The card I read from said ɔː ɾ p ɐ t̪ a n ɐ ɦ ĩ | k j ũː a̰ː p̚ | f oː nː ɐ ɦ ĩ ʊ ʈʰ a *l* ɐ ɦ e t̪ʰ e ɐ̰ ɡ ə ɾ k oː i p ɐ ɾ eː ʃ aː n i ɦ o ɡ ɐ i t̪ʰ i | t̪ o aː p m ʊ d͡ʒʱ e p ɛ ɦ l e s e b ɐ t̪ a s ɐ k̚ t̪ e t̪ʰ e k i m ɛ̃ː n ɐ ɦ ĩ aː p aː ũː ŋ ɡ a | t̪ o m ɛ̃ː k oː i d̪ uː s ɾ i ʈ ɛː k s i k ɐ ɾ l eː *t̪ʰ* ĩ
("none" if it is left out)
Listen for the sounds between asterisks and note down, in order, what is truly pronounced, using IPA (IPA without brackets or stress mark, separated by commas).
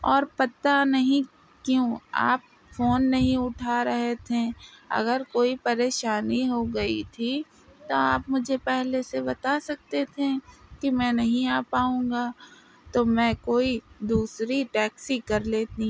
ɾ, t̪